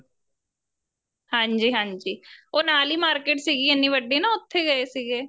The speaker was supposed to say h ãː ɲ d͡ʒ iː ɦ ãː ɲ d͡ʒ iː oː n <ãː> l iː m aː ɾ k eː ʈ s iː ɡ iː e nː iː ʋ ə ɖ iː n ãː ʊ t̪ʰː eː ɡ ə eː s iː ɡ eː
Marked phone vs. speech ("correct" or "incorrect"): incorrect